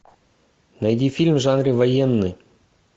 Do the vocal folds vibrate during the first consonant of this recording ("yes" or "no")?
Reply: yes